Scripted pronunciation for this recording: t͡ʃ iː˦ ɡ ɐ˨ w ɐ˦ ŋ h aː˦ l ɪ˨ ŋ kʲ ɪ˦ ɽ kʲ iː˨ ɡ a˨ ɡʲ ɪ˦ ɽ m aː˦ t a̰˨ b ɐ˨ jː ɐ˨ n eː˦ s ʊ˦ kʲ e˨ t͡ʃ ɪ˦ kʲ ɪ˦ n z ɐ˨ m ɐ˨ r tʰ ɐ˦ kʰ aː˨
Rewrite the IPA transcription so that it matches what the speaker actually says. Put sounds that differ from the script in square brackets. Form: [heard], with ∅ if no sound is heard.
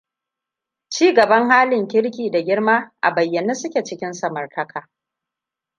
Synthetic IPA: t͡ʃ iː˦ ɡ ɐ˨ [b] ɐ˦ ŋ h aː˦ l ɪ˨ ŋ kʲ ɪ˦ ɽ kʲ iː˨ [d] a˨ ɡʲ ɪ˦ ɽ m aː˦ [ʔ] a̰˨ b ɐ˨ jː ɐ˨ n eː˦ s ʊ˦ kʲ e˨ t͡ʃ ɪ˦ kʲ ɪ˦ n [s] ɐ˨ m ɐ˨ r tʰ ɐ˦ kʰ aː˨